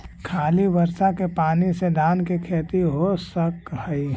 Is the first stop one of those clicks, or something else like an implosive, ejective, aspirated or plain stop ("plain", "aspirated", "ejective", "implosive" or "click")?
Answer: aspirated